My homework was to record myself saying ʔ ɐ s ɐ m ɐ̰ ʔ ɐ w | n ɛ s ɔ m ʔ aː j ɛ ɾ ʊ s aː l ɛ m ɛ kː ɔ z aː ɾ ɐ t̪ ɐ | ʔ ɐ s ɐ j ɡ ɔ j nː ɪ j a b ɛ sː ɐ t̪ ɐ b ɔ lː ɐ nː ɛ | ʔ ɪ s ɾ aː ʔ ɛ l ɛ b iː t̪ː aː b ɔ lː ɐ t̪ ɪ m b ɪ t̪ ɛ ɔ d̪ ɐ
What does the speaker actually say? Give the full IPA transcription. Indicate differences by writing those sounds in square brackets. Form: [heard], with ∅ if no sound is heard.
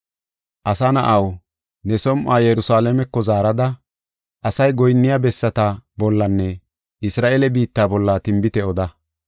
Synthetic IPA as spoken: ʔ ɐ s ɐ [n] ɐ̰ ʔ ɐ w | n ɛ s ɔ m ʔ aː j ɛ ɾ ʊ s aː l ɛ m ɛ kː ɔ z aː ɾ ɐ [d̪] ɐ | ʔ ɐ s ɐ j ɡ ɔ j nː ɪ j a b ɛ sː ɐ t̪ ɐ b ɔ lː ɐ nː ɛ | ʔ ɪ s ɾ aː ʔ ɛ l ɛ b iː t̪ː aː b ɔ lː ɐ t̪ ɪ m b ɪ t̪ ɛ ɔ d̪ ɐ